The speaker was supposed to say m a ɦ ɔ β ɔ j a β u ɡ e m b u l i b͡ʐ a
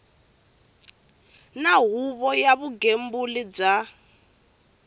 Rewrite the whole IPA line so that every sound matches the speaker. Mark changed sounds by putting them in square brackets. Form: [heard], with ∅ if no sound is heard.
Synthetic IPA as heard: [n] a ɦ [u] β ɔ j a β u ɡ e m b u l i b͡ʐ a